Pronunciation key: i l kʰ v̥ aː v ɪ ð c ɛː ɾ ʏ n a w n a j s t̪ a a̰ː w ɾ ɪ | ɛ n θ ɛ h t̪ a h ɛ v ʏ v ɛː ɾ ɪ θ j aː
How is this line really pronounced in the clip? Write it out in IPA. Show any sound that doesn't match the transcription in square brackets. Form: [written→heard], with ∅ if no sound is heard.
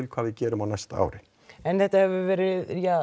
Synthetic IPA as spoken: [i→ɪ] l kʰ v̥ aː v ɪ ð c ɛː ɾ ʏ [n→m] a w n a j s t̪ a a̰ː w ɾ ɪ | ɛ n θ ɛ h t̪ a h ɛ v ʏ v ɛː ɾ ɪ [θ→ð] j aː